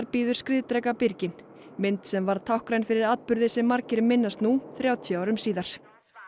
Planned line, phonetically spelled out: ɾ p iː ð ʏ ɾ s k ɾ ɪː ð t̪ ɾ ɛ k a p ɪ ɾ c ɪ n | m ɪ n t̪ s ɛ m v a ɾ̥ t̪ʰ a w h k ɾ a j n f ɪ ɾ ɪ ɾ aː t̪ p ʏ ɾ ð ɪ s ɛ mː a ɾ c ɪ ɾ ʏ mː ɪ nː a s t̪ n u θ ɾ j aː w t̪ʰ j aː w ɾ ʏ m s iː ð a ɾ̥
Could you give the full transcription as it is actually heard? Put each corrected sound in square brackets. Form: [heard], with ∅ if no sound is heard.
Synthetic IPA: ɾ p iː ð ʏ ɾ s k ɾ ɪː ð t̪ ɾ ɛ k a p ɪ ɾ c ɪ n | m ɪ n t̪ s ɛ m v a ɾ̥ t̪ʰ a w h k ɾ a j n f ɪ ɾ ɪ ɾ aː t̪ p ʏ ɾ ð ɪ s ɛ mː a ɾ c ɪ ɾ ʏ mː ɪ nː a s t̪ n u θ ɾ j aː w t̪ʰ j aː w ɾ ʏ m s iː ð a ɾ̥